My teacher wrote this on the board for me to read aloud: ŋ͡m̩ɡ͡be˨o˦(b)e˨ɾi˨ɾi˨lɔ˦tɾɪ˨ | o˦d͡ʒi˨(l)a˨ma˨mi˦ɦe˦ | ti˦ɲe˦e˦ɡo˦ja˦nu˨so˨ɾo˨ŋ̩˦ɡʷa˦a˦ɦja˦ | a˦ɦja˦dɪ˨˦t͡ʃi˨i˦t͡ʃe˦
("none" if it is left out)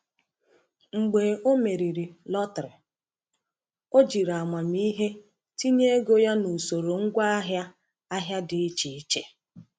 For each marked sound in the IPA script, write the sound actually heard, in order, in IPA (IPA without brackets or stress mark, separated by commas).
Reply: m, ɾ